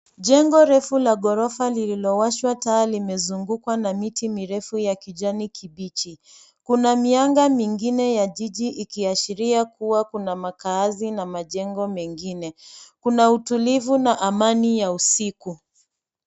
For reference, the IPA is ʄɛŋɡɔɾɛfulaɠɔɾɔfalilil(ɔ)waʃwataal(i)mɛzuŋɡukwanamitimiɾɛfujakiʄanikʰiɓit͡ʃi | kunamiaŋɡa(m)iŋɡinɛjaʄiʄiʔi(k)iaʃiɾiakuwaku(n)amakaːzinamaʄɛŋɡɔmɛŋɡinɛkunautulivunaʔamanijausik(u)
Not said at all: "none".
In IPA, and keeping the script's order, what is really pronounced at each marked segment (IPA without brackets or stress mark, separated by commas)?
ɔ, i, m, k, n, u